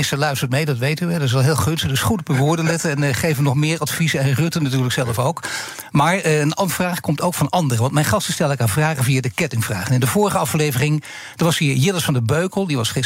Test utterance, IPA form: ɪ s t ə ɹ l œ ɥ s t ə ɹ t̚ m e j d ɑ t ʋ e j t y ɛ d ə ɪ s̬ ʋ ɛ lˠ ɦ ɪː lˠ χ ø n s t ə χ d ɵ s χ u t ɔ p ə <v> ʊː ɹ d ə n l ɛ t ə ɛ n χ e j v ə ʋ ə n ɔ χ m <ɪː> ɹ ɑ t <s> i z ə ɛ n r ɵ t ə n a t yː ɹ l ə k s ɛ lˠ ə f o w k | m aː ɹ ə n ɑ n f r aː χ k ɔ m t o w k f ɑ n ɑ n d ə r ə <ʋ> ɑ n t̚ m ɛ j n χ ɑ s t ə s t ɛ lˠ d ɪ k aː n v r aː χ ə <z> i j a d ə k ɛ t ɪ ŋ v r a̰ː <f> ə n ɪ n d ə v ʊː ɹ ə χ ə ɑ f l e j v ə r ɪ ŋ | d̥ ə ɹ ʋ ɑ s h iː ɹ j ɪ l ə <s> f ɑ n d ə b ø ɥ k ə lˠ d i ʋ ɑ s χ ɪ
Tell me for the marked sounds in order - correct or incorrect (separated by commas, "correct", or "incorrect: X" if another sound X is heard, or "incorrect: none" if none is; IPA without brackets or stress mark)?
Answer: incorrect: ʋ, correct, incorrect: f, correct, incorrect: v, incorrect: χ, correct